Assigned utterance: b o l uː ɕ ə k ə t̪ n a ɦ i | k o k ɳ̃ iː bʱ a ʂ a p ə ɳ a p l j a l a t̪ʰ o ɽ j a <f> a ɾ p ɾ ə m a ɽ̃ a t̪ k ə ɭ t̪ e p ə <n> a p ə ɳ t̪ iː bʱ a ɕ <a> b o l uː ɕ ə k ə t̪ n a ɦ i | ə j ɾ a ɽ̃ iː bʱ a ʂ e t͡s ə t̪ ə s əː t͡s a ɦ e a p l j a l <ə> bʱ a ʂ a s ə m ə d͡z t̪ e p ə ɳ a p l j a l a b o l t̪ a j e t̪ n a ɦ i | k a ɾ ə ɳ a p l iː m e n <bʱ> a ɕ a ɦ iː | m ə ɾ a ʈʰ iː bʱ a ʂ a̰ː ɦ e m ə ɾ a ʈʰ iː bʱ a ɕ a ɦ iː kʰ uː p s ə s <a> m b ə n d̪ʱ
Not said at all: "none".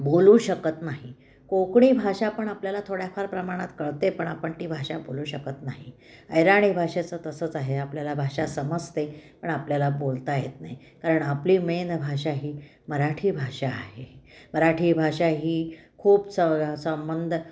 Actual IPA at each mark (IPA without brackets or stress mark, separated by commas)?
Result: f, ɳ, a, a, bʱ, ə